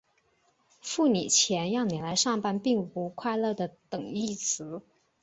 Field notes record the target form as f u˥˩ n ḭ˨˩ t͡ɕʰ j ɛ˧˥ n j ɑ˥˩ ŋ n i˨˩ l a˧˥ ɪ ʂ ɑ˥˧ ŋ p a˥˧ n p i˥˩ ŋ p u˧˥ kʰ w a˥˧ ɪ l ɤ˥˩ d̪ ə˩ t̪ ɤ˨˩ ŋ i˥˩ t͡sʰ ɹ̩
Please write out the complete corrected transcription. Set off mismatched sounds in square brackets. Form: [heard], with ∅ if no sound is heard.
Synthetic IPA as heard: f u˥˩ n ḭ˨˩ t͡ɕʰ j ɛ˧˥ n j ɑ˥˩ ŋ n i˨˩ l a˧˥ ɪ ʂ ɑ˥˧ ŋ p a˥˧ n p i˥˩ ŋ p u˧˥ kʰ w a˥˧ ɪ l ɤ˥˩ d̪ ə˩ t̪ ɤ˨˩ ŋ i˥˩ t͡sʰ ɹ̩